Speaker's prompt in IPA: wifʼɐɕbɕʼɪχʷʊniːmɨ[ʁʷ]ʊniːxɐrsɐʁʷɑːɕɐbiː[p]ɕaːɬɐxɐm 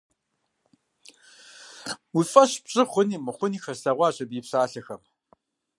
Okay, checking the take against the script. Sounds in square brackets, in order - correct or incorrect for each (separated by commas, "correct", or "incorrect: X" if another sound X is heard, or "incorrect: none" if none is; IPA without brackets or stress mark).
incorrect: χʷ, correct